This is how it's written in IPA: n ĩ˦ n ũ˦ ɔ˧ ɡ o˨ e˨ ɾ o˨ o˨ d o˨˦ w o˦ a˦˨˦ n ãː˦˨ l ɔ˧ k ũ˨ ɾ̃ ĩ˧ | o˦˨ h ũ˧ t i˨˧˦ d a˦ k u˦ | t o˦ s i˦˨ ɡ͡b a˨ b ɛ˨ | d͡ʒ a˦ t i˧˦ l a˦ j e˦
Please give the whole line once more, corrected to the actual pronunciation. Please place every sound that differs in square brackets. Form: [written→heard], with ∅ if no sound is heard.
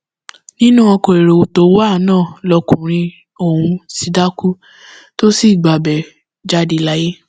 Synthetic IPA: n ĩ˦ n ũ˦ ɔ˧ [ɡ→k] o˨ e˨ ɾ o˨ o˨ [d→t] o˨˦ w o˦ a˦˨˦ n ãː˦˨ l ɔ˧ k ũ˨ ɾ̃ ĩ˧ | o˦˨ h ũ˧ [t→s] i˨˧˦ d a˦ k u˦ | t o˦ s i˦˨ ɡ͡b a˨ b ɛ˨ | d͡ʒ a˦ [t→d] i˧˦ l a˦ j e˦